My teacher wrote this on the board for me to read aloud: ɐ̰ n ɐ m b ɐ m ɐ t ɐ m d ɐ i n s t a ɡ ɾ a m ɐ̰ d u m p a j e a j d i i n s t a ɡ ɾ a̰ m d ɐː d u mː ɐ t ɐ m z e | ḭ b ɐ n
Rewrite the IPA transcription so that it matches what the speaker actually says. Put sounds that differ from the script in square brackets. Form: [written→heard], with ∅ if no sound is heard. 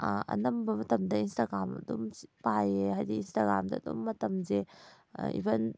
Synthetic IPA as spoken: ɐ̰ n ɐ m b ɐ m ɐ t ɐ m d ɐ i n s t a ɡ ɾ a m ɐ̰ d u m p a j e a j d i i n s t a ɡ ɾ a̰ m d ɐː d u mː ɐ t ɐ m z e | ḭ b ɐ n

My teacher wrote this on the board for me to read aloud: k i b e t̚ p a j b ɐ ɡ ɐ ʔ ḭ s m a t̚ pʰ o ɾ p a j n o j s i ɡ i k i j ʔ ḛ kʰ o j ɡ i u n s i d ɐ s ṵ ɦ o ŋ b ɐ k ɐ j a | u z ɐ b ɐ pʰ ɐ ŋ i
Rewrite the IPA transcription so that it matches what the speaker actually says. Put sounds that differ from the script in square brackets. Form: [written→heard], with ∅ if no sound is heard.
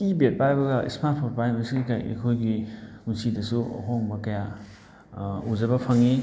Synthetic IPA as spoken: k i b e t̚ p a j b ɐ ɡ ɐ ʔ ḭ s m a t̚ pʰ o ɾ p a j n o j s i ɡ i k [i→a] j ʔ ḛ kʰ o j ɡ i u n s i d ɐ s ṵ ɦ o ŋ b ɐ k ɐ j a | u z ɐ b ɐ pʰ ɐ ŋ i

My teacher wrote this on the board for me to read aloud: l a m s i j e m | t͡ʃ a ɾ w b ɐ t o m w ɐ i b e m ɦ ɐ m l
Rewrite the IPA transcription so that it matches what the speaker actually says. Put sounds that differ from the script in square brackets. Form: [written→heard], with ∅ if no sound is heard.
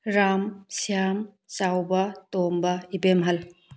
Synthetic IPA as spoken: [l→ɾ] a m s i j [e→a] m | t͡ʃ a [ɾ→∅] w b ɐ t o m [w→b] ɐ i b e m ɦ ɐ [m→∅] l

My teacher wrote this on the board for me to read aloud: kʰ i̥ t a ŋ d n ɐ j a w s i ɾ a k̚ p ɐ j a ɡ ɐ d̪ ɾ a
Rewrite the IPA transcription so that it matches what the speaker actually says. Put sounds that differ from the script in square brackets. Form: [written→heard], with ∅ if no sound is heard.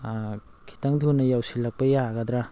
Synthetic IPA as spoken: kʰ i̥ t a ŋ d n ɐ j a w s i [ɾ→l] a k̚ p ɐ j a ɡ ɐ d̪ ɾ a

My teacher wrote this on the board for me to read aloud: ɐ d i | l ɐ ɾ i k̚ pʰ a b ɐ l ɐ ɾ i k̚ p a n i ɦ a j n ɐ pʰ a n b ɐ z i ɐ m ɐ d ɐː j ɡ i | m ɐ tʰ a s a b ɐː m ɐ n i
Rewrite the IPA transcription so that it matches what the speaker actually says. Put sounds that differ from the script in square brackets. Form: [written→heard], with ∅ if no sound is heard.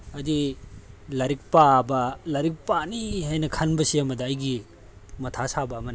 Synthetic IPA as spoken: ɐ d i | l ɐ ɾ i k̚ [pʰ→p] a b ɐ l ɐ ɾ i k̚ p a n i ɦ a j n ɐ [pʰ→kʰ] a n b ɐ [z→s] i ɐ m ɐ d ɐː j ɡ i | m ɐ tʰ a s a b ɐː m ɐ n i

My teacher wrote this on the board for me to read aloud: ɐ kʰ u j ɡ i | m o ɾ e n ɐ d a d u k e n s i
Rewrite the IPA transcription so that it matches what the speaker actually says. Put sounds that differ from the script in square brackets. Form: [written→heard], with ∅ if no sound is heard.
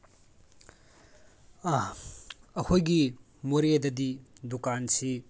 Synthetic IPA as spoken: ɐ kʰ [u→o] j ɡ i | m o ɾ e [n→d] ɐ d [a→i] d u k [e→a] n s i

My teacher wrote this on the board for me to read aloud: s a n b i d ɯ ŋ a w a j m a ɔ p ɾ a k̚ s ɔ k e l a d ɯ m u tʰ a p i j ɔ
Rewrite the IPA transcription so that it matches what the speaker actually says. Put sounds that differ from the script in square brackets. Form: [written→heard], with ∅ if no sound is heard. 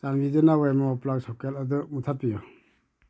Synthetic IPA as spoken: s a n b i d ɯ [ŋ→n] a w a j m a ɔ p [ɾ→l] a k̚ s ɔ k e l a d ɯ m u tʰ a p i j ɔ

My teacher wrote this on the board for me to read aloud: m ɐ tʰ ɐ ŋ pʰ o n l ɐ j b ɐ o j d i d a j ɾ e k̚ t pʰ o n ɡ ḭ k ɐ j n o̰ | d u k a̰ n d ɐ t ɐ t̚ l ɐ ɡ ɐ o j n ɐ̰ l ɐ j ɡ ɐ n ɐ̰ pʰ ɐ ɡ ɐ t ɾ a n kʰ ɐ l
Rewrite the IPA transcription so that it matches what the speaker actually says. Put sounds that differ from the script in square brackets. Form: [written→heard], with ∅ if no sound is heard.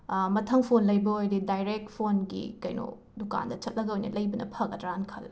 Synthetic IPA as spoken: m ɐ tʰ ɐ ŋ pʰ o n l ɐ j b ɐ o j d i d a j ɾ e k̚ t pʰ o n ɡ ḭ k ɐ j n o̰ | d u k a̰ n d ɐ [t→t͡ʃ] ɐ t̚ l ɐ ɡ ɐ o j n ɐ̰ l ɐ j [ɡ→b] ɐ n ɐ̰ pʰ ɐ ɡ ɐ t ɾ a n kʰ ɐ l

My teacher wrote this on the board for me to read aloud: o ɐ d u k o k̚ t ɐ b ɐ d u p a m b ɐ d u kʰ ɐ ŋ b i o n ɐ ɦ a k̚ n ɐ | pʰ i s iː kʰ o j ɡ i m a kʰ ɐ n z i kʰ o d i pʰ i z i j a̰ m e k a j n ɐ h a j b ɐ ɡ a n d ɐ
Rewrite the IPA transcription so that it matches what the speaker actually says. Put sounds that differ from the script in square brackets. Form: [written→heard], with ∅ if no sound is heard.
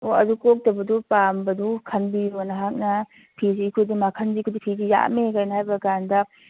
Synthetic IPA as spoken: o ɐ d u k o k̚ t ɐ b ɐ d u p a m b ɐ d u kʰ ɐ [ŋ→n] b i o n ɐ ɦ a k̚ n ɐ | pʰ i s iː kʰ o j [ɡ→d] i m a kʰ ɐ n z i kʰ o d i pʰ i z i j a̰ m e k a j n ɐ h a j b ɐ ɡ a n d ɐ

